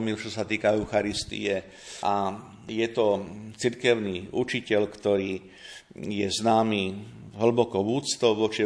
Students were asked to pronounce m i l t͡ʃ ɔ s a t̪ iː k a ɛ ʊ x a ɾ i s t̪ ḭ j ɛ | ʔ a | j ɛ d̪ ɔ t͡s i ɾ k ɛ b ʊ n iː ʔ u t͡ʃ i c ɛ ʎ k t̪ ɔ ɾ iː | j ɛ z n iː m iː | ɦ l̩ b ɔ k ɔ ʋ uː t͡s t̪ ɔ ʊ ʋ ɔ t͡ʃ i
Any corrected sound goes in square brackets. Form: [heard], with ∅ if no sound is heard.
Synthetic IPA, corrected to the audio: m i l t͡ʃ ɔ s a t̪ iː k a ɛ ʊ x a ɾ i s t̪ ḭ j ɛ | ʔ a | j ɛ [t̪] ɔ t͡s i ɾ k ɛ [∅] ʊ n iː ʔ u t͡ʃ i c ɛ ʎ k t̪ ɔ ɾ iː | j ɛ z n [aː] m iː | ɦ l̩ b ɔ k ɔ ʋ uː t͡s t̪ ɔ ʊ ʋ ɔ t͡ʃ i